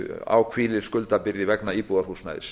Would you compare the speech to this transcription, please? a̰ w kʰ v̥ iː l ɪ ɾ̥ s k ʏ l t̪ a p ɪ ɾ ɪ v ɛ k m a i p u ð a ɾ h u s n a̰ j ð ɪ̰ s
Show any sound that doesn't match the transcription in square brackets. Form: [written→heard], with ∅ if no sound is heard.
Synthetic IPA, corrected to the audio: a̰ w kʰ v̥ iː l ɪ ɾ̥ s k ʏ l t̪ a p ɪ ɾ ɪ v ɛ k [m→n] a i p u ð a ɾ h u s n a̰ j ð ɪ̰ s